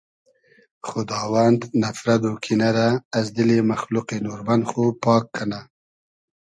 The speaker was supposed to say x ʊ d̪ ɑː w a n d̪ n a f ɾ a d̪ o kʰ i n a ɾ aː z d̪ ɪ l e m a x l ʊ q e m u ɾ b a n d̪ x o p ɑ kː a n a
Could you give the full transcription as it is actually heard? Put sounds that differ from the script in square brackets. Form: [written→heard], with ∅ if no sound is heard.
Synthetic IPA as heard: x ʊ d̪ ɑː w a n d̪ n a f ɾ a d̪ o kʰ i n a ɾ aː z d̪ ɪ l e m a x l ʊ q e [m→n] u ɾ b a n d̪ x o p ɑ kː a n a